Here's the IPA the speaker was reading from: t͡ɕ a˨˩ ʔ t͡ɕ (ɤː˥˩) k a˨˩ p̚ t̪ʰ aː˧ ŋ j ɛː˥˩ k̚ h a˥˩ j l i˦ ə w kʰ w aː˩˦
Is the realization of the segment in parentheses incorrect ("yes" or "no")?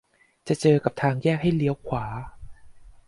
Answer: yes